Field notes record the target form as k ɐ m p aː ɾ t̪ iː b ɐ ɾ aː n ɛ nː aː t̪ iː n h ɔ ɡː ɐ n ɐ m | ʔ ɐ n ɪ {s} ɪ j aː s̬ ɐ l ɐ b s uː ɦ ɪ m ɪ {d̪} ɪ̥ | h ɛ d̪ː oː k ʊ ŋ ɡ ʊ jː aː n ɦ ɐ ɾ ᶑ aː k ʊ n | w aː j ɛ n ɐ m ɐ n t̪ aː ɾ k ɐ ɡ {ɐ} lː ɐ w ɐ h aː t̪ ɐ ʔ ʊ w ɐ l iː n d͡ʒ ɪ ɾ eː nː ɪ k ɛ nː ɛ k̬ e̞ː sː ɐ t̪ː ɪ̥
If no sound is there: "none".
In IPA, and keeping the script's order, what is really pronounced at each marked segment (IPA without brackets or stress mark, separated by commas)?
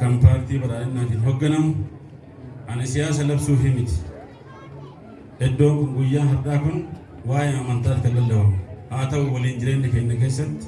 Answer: s, t̪, ɐ